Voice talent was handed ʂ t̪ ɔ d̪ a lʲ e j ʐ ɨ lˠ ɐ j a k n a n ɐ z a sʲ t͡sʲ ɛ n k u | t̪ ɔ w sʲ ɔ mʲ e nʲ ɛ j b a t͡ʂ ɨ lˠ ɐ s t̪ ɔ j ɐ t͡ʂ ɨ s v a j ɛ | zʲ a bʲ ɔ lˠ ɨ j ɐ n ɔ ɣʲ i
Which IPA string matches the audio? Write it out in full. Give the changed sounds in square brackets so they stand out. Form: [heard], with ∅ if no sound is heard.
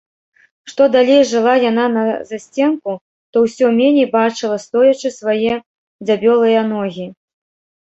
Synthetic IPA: ʂ t̪ ɔ d̪ a lʲ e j ʐ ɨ lˠ [a] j a [∅] n a n ɐ z a sʲ t͡sʲ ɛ n k u | t̪ ɔ w sʲ ɔ mʲ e nʲ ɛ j b a t͡ʂ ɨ lˠ ɐ s t̪ ɔ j ɐ t͡ʂ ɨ s v a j ɛ | [d͡zʲ] a bʲ ɔ lˠ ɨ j ɐ n ɔ ɣʲ i